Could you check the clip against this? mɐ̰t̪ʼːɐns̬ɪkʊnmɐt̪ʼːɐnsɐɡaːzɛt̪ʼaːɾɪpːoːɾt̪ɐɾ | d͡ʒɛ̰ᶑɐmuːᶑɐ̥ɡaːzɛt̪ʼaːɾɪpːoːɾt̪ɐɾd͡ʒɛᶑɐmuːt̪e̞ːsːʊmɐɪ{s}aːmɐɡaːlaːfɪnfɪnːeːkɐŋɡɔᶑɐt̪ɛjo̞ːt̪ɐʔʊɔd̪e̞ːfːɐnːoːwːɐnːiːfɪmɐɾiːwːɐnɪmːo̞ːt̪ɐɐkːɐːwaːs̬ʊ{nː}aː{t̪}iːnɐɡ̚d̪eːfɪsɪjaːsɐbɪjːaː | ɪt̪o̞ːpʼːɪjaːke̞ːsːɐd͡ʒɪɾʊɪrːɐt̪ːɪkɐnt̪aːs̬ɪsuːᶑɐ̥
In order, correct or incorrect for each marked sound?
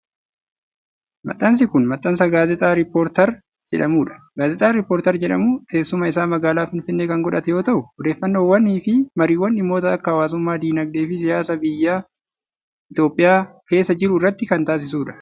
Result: correct, incorrect, incorrect

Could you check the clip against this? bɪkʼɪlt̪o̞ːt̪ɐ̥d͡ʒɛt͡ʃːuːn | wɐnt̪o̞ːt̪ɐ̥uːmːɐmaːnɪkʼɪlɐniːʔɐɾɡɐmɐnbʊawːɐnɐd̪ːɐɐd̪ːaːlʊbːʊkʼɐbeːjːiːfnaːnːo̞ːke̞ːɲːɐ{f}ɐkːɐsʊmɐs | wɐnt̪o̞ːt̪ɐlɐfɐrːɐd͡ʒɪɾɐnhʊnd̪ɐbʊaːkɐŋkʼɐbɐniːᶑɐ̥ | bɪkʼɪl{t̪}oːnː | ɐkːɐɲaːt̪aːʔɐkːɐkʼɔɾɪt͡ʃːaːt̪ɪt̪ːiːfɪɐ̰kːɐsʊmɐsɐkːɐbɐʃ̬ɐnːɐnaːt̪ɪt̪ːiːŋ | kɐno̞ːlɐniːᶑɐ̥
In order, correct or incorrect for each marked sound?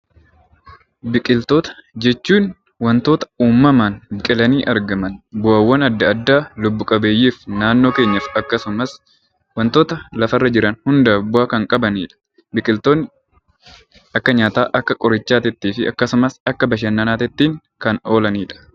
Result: correct, correct

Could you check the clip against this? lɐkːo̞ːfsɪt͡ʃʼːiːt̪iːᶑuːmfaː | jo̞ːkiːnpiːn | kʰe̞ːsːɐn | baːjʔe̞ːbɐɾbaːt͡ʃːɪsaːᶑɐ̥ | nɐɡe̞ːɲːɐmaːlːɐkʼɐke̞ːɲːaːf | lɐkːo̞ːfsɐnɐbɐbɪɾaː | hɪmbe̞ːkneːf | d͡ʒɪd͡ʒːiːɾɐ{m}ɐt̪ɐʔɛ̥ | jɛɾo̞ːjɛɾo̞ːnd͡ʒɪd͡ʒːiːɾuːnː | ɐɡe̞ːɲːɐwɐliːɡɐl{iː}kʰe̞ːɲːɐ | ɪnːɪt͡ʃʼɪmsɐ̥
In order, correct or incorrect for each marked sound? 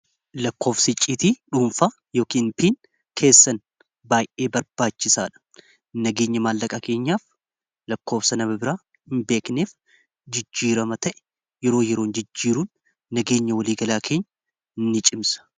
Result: correct, incorrect

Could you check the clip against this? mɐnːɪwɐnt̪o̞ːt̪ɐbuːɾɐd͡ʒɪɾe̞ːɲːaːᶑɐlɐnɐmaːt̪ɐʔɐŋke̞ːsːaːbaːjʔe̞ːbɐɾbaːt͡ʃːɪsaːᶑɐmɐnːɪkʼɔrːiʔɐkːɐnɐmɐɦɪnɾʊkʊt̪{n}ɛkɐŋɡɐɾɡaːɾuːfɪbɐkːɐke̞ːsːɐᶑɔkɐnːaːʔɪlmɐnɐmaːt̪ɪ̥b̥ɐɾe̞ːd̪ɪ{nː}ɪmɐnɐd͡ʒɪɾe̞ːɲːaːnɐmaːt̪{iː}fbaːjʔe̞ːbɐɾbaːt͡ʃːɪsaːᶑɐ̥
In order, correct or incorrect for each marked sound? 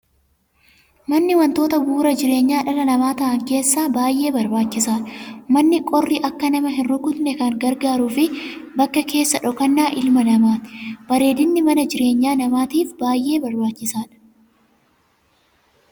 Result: correct, correct, correct

